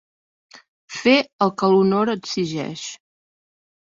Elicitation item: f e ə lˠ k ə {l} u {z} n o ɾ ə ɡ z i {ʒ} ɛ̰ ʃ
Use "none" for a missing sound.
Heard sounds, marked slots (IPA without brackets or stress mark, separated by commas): l, none, ʒ